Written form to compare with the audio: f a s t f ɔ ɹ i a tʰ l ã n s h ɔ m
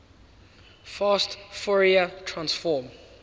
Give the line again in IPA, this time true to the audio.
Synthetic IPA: f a s t f ɔ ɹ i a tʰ ɹ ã n s f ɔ m

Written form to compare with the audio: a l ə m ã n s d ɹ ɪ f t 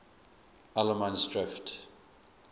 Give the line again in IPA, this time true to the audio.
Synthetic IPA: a l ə m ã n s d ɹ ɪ f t

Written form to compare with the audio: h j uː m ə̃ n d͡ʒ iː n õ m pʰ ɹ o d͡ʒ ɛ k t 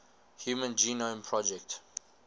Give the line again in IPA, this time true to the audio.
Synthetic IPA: h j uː m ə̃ n d͡ʒ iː n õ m pʰ ɹ ɔ d͡ʒ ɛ k t

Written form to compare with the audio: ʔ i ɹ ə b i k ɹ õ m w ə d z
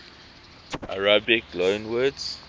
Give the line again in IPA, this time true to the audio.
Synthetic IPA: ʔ a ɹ a b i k l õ n w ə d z

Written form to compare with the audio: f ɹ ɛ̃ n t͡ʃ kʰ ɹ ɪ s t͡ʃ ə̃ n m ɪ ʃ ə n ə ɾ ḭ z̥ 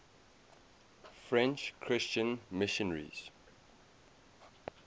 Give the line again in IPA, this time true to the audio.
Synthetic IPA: f ɹ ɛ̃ n t͡ʃ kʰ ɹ ɪ s t͡ʃ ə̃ n m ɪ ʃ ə n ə ɹ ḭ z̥

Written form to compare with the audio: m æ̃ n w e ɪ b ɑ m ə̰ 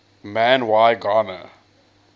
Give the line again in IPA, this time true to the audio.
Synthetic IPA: m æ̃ n w a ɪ ɡ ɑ n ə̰

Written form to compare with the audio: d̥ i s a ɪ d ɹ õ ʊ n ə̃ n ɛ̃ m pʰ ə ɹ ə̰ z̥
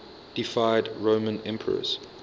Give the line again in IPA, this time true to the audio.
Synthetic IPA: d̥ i f a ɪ d ɹ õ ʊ m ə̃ n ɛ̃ m pʰ ə ɹ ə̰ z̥

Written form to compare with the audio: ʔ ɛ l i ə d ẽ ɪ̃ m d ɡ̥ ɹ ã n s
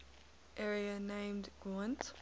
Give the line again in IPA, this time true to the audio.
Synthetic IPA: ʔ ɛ ɹ i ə n ẽ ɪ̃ m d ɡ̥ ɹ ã n t

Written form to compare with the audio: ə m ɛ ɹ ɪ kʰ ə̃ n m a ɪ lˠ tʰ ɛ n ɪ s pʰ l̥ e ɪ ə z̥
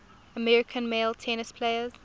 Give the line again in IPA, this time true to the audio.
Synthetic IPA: ə m ɛ ɹ ɪ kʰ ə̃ n m e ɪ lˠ tʰ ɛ n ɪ s pʰ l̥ e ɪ ə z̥

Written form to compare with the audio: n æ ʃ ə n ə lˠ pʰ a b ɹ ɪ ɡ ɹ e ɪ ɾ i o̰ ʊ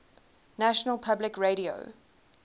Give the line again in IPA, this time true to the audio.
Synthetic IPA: n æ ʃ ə n ə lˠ pʰ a b l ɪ k ɹ e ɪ ɾ i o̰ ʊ

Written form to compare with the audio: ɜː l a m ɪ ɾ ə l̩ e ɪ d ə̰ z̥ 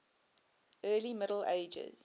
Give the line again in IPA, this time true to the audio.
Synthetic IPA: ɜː l i m ɪ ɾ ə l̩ e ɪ d͡ʒ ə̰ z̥

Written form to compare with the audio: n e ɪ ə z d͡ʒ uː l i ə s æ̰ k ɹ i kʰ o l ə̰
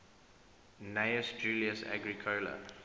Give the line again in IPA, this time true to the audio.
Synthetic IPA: n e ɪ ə s d͡ʒ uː l i ə s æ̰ ɡ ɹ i kʰ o l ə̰

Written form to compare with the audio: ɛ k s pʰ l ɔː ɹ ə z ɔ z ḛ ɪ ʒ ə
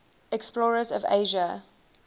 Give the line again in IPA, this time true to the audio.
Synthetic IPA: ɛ k s p l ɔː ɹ ə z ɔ v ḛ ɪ ʒ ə

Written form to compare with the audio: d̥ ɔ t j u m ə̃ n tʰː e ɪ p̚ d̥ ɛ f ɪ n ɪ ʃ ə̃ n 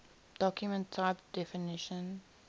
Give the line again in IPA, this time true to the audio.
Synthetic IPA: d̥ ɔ k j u m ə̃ n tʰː a ɪ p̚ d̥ ɛ f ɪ n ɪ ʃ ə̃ n

